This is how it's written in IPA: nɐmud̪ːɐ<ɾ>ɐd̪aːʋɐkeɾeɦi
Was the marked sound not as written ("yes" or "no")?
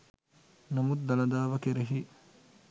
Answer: yes